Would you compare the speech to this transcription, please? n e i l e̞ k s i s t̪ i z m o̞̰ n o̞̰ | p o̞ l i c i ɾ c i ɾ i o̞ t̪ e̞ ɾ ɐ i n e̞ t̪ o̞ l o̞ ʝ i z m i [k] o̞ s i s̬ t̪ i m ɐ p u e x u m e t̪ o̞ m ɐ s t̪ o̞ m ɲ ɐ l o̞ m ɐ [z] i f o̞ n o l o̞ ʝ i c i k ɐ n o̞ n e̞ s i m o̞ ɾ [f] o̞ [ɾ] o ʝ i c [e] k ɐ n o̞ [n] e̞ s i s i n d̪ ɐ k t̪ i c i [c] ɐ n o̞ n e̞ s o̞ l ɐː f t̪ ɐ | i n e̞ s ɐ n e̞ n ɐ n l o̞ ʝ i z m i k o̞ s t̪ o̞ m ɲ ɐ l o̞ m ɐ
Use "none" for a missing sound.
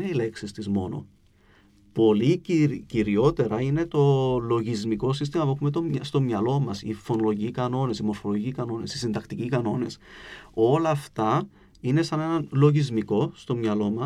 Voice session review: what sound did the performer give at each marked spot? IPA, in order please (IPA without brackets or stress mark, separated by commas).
k, s, f, l, i, n, k